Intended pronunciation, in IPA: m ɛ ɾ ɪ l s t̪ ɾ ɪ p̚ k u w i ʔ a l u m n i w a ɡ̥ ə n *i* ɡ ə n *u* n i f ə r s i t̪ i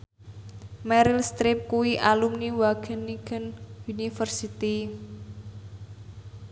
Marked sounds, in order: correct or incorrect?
correct, correct

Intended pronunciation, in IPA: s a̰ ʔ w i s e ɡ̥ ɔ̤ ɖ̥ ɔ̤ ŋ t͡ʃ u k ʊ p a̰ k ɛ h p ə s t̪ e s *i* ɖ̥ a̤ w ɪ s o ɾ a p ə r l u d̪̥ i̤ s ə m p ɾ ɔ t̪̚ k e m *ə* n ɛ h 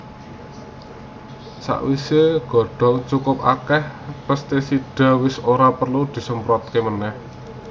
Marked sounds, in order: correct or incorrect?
correct, correct

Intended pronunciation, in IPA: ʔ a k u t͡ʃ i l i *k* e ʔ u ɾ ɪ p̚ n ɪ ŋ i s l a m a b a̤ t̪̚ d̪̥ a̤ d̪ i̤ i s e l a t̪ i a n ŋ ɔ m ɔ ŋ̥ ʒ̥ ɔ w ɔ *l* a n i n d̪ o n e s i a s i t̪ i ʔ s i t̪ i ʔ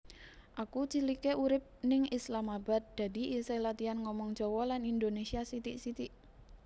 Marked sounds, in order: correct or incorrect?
correct, correct

